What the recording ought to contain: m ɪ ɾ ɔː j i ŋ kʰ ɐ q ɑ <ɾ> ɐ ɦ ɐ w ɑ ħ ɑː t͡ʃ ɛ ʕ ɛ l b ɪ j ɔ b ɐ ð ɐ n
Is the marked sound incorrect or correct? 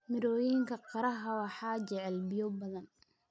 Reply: correct